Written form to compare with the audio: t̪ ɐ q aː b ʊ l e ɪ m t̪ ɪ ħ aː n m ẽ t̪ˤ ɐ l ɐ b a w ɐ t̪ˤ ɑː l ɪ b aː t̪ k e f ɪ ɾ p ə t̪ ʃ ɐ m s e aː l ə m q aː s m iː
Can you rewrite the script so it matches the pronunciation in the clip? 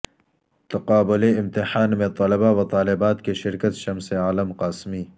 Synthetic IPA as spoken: t̪ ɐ q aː b ʊ l e ɪ m t̪ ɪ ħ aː n m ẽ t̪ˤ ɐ l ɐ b a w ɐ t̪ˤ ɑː l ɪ b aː t̪ k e ʃ ɪ ɾ k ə t̪ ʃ ɐ m s e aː l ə m q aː s m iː